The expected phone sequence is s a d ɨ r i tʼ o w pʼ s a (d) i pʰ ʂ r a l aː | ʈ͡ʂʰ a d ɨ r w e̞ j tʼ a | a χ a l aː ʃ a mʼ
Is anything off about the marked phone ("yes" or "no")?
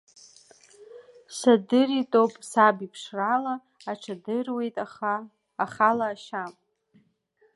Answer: yes